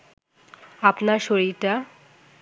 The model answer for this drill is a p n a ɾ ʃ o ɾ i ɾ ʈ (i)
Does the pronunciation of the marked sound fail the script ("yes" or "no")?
yes